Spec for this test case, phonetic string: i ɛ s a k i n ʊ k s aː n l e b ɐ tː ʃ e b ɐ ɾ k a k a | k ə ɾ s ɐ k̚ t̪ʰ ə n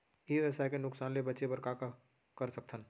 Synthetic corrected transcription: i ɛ s a k e n ʊ k s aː n l e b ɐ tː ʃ e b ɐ ɾ k a k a | k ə ɾ s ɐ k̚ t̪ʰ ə n